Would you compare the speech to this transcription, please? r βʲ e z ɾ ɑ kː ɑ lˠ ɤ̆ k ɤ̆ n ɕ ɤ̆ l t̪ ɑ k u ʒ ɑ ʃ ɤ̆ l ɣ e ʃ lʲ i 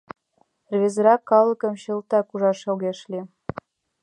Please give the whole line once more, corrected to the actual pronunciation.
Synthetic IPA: r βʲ e z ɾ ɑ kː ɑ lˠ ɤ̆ k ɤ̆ m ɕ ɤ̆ l t̪ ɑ k u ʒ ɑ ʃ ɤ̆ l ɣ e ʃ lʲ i